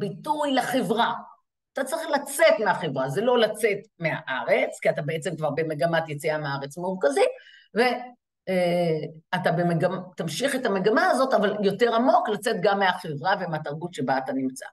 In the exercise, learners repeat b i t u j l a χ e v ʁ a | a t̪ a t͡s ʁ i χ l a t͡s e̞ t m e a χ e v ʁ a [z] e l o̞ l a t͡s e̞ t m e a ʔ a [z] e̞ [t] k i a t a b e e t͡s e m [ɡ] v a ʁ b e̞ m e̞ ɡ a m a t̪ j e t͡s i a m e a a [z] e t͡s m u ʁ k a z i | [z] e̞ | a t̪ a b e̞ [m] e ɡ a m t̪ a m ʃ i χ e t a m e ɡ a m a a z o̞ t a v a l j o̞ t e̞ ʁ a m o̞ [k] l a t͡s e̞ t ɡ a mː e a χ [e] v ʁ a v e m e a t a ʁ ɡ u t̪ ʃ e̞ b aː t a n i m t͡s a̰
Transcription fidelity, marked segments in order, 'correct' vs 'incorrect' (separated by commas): correct, incorrect, incorrect, incorrect, incorrect, incorrect, correct, correct, correct